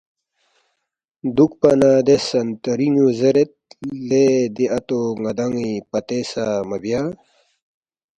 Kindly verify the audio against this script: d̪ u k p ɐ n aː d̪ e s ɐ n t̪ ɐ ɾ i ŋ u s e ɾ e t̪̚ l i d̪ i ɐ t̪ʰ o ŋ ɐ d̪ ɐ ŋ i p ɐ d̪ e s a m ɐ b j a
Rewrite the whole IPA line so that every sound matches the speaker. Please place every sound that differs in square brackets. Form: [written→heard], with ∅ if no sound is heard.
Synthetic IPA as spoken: d̪ u k p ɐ n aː d̪ e s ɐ n t̪ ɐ ɾ i ŋ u [s→z] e ɾ e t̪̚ l [i→e] d̪ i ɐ [t̪ʰ→t̪] o ŋ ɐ d̪ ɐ ŋ i p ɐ [d̪→t̪] e s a m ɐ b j a